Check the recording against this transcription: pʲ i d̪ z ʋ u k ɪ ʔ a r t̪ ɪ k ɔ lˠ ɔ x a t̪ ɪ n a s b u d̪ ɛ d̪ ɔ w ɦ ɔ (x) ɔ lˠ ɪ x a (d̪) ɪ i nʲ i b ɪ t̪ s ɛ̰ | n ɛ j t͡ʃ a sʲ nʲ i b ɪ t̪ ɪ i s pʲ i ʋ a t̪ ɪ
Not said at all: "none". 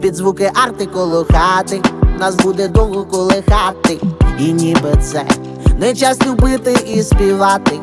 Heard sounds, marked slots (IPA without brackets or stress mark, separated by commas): k, t̪